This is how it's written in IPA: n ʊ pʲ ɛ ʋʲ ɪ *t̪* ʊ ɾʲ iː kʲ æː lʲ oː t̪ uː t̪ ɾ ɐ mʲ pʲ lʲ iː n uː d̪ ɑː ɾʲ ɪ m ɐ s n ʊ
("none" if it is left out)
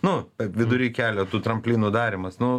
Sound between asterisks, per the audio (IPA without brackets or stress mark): d̪